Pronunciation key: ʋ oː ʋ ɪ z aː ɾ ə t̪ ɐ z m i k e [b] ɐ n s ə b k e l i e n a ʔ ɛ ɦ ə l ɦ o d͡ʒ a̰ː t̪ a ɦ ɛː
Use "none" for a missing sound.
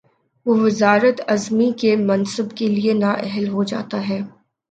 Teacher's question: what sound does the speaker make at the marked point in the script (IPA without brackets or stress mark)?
m